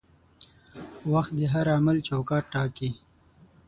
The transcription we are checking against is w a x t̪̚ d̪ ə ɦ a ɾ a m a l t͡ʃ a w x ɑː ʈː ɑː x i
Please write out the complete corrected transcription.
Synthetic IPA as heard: w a x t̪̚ d̪ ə ɦ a ɾ a m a l t͡ʃ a w k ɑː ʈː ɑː k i